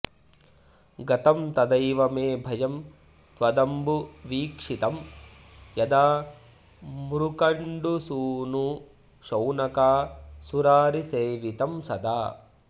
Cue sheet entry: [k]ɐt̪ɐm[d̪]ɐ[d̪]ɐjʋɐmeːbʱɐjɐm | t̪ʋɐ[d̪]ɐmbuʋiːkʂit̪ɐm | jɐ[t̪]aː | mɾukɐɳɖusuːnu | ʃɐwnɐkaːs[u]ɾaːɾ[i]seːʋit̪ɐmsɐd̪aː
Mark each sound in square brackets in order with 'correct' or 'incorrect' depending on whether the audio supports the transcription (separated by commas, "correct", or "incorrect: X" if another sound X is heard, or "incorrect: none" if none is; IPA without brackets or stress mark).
incorrect: ɡ, incorrect: t̪, correct, correct, incorrect: d̪, correct, correct